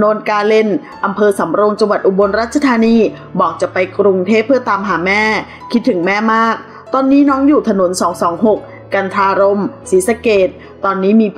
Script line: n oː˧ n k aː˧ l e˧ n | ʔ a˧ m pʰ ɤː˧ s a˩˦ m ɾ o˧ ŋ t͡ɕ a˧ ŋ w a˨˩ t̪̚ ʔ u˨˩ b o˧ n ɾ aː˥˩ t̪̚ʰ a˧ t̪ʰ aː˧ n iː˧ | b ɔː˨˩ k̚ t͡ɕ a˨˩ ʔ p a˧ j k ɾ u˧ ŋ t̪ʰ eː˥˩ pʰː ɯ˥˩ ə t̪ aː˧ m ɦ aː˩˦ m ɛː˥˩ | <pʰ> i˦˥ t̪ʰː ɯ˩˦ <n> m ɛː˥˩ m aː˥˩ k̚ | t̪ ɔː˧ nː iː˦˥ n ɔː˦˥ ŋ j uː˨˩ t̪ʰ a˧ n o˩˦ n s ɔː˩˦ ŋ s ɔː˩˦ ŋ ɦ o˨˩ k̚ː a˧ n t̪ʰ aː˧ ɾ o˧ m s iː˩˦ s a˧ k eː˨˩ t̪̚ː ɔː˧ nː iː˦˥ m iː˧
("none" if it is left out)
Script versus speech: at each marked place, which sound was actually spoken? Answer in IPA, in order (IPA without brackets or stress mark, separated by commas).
kʰ, ŋ